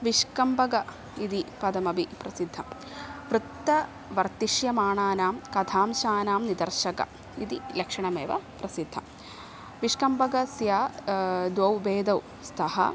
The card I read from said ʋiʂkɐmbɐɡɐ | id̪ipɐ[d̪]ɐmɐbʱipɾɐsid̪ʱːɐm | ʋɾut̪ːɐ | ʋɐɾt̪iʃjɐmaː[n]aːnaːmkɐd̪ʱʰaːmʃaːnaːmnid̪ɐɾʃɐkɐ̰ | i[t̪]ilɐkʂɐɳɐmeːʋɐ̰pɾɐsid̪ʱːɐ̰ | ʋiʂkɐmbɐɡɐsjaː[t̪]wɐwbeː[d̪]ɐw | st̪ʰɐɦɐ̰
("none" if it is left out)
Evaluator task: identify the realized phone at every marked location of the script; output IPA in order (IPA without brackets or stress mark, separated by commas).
d̪, ɳ, d̪, d̪, d̪